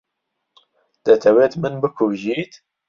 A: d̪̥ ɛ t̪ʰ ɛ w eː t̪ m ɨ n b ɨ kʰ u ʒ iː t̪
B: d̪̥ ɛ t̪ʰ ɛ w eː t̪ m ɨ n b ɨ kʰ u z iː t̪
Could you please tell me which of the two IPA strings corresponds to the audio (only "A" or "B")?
A